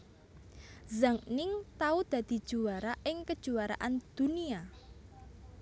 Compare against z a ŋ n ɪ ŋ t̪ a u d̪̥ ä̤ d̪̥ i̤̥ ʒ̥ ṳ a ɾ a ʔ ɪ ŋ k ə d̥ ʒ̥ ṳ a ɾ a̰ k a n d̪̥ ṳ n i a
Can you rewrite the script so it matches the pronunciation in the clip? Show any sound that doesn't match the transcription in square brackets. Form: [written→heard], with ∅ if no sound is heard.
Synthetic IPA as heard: z a ŋ n ɪ ŋ t̪ a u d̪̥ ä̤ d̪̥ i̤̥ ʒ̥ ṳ a ɾ a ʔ ɪ ŋ k ə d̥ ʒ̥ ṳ a ɾ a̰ [k→ʔ] a n d̪̥ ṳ n i a

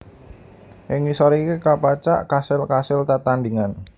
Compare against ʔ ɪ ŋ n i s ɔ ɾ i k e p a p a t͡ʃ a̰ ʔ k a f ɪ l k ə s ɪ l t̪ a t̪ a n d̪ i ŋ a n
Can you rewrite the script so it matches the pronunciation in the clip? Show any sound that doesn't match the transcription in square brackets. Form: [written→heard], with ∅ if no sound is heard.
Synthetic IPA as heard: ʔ ɪ ŋ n i s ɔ ɾ i k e [p→k] a p a t͡ʃ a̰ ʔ k a [f→s] ɪ l k [ə→a] s ɪ l t̪ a t̪ a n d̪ i ŋ a n

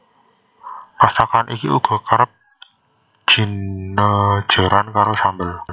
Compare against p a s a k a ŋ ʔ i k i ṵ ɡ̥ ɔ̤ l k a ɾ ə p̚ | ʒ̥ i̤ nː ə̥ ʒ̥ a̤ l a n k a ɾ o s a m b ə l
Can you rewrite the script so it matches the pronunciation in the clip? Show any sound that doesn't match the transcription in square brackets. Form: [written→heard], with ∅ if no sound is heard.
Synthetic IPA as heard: p a s a k a [ŋ→n] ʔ i k i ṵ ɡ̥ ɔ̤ [l→∅] k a ɾ ə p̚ | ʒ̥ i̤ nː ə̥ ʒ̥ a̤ [l→ɾ] a n k a ɾ o s a m b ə l

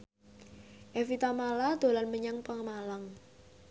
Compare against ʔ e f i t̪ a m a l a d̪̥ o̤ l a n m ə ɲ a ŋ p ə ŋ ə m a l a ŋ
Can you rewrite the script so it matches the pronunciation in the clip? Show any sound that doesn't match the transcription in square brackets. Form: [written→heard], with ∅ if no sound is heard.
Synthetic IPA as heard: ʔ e f i t̪ a m a l a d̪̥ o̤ l a n m ə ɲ a ŋ p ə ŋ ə m a l a ŋ

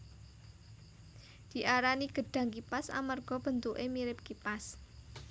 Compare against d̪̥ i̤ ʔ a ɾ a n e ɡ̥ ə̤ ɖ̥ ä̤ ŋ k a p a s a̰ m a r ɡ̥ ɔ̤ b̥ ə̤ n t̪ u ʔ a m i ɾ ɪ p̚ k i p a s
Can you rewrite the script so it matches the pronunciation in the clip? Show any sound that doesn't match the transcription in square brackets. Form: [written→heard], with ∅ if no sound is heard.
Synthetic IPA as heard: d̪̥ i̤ ʔ a ɾ a n [e→i] ɡ̥ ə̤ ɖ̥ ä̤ ŋ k [a→i] p a s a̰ m a r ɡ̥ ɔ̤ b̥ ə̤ n t̪ u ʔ [a→e] m i ɾ ɪ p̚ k i p a s

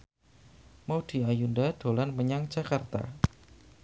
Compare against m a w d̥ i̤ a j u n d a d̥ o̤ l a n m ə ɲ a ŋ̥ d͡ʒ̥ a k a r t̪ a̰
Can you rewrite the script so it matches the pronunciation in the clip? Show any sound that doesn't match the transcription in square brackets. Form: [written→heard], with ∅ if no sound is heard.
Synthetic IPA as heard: m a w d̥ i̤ a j u n d a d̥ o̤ l a n m ə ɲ a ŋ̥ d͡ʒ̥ a k a r t̪ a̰

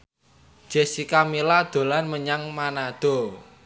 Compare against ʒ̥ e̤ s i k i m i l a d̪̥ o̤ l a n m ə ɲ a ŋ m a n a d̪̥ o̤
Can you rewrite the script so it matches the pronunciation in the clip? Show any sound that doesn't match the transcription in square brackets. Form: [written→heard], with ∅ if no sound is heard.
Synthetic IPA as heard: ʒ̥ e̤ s i k [i→a] m i l a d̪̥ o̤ l a n m ə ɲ a ŋ m a n a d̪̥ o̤

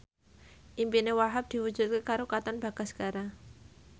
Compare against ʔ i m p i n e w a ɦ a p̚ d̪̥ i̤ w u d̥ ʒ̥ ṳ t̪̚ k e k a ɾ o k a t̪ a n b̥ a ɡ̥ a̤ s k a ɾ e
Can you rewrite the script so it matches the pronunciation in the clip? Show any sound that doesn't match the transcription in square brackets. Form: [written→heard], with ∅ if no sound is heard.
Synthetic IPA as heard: ʔ i m p i n e w a ɦ a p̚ d̪̥ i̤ w u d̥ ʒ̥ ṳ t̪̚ k e k a ɾ o k a t̪ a n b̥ a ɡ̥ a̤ s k a ɾ [e→a]

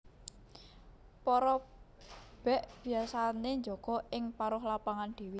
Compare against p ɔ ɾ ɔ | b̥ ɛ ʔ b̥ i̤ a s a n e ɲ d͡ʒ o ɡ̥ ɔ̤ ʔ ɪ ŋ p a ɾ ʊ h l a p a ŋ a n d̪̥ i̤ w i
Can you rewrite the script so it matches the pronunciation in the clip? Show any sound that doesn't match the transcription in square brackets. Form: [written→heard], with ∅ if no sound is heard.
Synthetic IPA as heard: p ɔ ɾ ɔ | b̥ ɛ ʔ b̥ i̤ a s a n e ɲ d͡ʒ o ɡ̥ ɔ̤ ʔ ɪ ŋ p a ɾ ʊ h l a p a ŋ a n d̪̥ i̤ w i

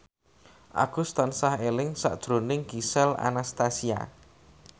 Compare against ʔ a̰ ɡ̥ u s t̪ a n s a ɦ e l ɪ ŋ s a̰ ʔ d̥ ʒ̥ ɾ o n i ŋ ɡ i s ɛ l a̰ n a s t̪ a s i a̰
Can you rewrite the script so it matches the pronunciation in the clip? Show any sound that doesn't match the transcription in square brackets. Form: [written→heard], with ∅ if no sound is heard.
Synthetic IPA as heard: ʔ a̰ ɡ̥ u s t̪ a n s a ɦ e l ɪ ŋ s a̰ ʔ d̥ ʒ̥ ɾ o n [i→ɪ] ŋ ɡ i s ɛ l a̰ n a s t̪ a s i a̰

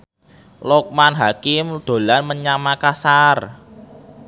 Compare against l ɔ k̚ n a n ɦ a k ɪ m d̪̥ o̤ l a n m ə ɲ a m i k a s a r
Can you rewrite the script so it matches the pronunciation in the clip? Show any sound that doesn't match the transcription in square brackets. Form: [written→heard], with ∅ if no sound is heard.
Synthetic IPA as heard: l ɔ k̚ [n→m] a n ɦ a k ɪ m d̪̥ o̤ l a n m ə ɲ a m [i→a] k a s a r

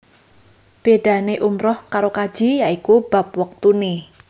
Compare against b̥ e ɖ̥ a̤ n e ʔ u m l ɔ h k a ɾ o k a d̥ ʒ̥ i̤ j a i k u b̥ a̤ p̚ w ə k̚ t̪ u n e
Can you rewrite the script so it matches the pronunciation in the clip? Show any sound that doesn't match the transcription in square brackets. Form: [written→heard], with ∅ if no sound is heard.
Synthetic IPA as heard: b̥ e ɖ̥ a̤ n e ʔ u m [l→ɾ] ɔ h k a ɾ o k a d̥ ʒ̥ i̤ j a i k u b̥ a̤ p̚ w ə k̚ t̪ u n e

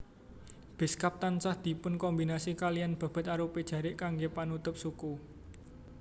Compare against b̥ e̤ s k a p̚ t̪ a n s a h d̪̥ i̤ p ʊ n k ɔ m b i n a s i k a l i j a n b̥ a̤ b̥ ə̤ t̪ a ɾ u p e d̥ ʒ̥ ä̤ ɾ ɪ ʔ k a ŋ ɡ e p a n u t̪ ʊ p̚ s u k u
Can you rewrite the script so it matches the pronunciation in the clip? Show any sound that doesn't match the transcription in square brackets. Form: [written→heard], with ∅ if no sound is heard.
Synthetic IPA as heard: b̥ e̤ s k a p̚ t̪ a n s a h d̪̥ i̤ p ʊ n k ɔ m b i n a s i k a l i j a n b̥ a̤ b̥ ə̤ t̪ a ɾ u p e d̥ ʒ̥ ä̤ ɾ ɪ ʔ k a ŋ ɡ e p a n u t̪ ʊ p̚ s u k u

